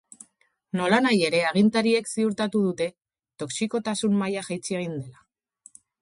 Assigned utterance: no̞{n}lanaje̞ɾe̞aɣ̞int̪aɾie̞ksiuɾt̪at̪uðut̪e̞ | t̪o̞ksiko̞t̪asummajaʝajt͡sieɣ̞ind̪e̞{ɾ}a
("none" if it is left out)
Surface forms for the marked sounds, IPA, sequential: none, l

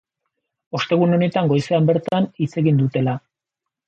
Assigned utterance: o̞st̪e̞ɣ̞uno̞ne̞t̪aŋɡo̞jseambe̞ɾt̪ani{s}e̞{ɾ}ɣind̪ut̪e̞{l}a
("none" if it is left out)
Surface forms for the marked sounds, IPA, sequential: t͡s, none, l

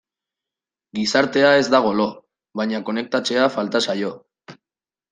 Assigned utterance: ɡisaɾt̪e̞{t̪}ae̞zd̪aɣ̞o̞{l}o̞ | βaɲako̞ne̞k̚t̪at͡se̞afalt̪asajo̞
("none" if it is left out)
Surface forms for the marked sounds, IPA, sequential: none, l

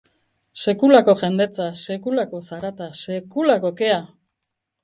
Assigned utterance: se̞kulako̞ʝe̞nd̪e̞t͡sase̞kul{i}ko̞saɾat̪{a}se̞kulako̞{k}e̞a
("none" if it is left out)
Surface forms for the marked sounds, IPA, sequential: a, a, k

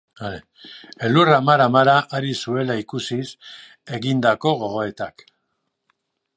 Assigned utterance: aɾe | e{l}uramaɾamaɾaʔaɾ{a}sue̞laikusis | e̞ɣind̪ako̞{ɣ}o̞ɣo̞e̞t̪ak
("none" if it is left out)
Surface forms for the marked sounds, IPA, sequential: l, i, ɣ

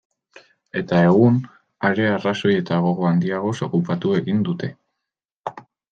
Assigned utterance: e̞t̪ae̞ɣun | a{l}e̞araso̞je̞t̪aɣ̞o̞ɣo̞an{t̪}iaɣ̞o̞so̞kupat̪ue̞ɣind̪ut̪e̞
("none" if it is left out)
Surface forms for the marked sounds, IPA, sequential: ɾ, d̪

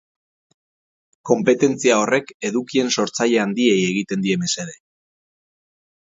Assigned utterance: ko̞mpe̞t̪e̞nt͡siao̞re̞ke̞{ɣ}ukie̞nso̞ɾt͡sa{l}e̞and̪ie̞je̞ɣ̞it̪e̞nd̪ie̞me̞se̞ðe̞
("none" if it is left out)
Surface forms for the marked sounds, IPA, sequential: ð, ʎ

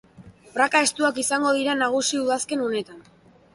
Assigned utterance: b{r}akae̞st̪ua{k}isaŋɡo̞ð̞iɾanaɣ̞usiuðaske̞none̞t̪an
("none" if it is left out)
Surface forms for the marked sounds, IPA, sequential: r, k

